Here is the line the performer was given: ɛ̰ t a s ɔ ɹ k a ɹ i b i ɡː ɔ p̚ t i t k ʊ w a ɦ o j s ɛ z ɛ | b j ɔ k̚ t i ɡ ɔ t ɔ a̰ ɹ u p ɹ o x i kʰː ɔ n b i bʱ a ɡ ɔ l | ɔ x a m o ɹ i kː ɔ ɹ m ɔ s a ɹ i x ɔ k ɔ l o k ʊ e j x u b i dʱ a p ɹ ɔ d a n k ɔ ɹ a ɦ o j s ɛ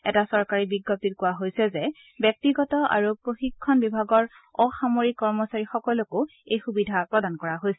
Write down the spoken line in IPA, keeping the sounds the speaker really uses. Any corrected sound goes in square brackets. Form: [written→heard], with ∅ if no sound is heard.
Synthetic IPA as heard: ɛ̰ t a s ɔ ɹ k a ɹ i b i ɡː ɔ p̚ t i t k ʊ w a ɦ o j s ɛ z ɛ | b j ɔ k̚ t i ɡ ɔ t ɔ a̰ ɹ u p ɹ o x i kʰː ɔ n b i bʱ a ɡ ɔ [l→ɹ] | ɔ x a m o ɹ i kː ɔ ɹ m ɔ s a ɹ i x ɔ k ɔ l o k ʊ e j x u b i dʱ a p ɹ ɔ d a n k ɔ ɹ a ɦ o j s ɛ